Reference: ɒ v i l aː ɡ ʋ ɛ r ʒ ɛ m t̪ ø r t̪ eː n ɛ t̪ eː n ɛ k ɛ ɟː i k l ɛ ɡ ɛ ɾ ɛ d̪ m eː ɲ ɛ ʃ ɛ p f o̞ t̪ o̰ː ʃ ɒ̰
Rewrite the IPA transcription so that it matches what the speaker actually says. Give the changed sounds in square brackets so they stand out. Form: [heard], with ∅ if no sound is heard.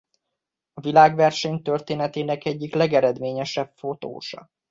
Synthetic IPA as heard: ɒ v i l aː ɡ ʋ ɛ r [ʃ] ɛ [ɲ] t̪ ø r t̪ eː n ɛ t̪ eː n ɛ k ɛ ɟː i k l ɛ ɡ ɛ ɾ ɛ d̪ m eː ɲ ɛ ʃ ɛ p f o̞ t̪ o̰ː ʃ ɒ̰